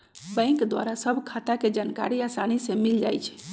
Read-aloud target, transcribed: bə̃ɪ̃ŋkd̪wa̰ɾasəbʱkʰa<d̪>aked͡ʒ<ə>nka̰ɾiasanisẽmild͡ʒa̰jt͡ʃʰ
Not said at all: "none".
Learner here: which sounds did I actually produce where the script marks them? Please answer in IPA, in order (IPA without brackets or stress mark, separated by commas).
t̪, a